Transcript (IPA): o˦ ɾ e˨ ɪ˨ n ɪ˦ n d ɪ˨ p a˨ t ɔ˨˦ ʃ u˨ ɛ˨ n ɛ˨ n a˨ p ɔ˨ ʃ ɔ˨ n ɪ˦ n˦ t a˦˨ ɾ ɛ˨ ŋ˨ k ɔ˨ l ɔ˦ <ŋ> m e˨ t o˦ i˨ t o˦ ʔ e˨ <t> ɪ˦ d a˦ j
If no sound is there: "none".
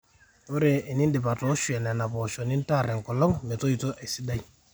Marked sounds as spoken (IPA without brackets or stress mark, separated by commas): ŋ, s